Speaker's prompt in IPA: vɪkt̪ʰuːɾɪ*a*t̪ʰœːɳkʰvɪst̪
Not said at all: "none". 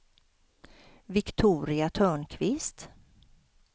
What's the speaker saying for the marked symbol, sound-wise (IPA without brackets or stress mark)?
a